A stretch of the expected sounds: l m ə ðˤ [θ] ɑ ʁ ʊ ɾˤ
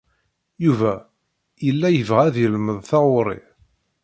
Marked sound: correct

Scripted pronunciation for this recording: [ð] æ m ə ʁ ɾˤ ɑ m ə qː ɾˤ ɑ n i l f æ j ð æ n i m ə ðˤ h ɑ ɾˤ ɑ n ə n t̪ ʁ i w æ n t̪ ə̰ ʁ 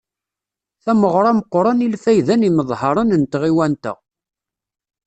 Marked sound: incorrect: θ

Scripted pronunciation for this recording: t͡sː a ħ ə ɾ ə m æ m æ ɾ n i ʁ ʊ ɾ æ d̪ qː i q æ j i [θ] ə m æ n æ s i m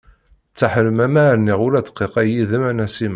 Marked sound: incorrect: ð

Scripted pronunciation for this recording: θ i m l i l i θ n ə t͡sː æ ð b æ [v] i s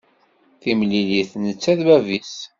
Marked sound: correct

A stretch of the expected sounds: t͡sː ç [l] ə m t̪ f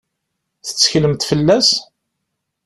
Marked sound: correct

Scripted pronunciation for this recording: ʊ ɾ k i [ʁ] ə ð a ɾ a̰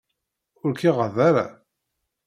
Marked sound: correct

